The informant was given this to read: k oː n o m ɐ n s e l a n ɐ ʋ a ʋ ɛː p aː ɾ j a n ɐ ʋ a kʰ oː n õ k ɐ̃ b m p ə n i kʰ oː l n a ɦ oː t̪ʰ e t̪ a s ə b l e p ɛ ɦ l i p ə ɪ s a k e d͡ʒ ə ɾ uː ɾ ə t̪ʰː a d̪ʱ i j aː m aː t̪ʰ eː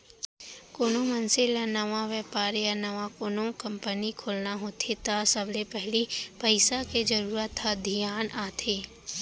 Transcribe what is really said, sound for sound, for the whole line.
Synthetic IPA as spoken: k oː n o m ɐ n s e l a n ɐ ʋ a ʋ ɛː p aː ɾ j a n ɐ ʋ a k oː n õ k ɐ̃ m p ə n i kʰ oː l n a ɦ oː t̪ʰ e t̪ a s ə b l e p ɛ ɦ l i p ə ɪ s a k e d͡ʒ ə ɾ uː ɾ ə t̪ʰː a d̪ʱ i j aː n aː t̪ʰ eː